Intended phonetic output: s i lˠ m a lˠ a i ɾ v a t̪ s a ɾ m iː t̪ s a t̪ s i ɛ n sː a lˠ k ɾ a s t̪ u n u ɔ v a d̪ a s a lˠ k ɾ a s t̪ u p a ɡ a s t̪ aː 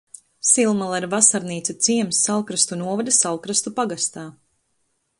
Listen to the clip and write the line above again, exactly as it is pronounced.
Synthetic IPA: s i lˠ m a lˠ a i ɾ v a s a ɾ n iː t̪ s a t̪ s i ɛ m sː a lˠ k ɾ a s t̪ u n u ɔ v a d̪ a s a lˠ k ɾ a s t̪ u p a ɡ a s t̪ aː

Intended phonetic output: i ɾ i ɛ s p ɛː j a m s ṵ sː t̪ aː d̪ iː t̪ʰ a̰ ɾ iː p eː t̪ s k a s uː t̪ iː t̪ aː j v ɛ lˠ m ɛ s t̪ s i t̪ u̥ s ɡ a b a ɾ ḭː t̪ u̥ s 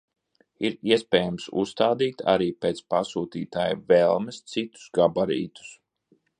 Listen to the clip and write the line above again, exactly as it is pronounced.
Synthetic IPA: i ɾ i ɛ s p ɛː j a m s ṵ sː t̪ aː d̪ iː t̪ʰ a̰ ɾ iː p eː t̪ s p a s uː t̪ iː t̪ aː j v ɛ lˠ m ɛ s t̪ s i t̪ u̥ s ɡ a b a ɾ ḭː t̪ u̥ s

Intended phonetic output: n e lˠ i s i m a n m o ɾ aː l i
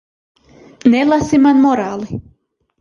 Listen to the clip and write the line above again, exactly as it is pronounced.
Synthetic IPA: n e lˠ a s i m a n m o ɾ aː l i

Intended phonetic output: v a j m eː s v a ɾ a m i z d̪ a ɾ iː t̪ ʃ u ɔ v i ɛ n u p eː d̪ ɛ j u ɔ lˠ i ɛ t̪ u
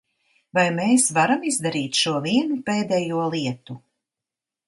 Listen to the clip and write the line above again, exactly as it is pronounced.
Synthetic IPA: v a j m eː s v a ɾ a m i z d̪ a ɾ iː t̪ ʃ u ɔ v i ɛ n u p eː d̪ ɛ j u ɔ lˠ i ɛ t̪ u

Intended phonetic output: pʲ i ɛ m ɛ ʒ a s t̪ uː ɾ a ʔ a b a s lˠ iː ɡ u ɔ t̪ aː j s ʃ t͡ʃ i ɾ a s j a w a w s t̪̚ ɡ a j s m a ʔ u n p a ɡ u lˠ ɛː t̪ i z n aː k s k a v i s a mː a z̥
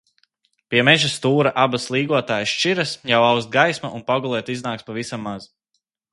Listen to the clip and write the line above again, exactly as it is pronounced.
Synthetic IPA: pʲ i ɛ m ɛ ʒ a s t̪ uː ɾ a ʔ a b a s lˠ iː ɡ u ɔ t̪ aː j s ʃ t͡ʃ i ɾ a s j a w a w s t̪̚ ɡ a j s m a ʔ u n p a ɡ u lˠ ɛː t̪ i z n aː k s p a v i s a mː a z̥

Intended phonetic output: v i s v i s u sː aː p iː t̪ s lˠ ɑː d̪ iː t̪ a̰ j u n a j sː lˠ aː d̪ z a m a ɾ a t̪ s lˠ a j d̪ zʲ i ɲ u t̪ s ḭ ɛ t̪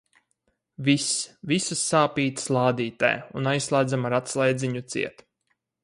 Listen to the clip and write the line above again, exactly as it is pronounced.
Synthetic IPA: v i s v i s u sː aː p iː t̪ s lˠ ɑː d̪ iː t̪ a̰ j u n a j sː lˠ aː d̪ z a m a ɾ a t̪ s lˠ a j d̪ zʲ i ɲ u t̪ s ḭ ɛ t̪

